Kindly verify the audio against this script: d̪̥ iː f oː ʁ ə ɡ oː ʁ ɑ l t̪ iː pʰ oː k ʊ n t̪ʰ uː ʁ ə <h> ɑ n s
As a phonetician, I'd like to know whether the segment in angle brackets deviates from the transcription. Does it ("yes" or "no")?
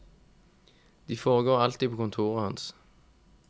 no